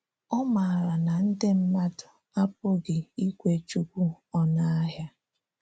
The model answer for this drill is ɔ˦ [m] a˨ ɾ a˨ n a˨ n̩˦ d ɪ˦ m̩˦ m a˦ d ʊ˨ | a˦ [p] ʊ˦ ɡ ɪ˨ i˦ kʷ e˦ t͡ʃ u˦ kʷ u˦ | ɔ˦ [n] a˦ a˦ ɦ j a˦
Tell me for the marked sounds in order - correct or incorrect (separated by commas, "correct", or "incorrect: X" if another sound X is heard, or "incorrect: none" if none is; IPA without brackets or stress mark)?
correct, correct, correct